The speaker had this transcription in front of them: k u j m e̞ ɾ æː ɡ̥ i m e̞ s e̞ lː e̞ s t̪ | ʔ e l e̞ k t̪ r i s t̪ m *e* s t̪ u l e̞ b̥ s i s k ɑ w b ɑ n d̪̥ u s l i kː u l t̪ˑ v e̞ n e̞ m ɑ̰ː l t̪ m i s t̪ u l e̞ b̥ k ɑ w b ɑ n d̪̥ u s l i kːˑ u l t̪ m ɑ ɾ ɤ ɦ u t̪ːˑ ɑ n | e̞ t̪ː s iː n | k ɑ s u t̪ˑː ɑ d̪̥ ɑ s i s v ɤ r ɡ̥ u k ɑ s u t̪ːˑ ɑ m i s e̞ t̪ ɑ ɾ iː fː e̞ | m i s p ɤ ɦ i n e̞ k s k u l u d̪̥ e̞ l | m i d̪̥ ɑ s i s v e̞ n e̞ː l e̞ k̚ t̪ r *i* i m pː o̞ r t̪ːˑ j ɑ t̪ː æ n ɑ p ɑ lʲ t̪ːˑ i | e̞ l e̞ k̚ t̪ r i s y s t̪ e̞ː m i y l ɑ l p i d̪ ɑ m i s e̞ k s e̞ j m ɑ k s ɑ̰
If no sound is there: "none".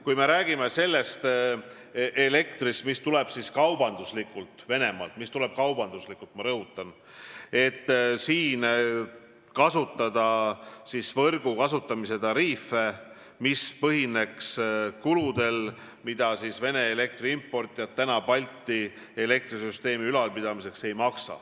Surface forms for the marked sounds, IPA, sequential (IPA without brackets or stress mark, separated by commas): i, i